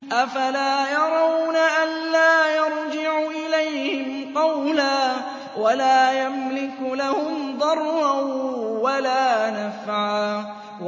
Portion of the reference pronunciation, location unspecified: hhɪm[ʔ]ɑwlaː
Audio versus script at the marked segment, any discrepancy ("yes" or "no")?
yes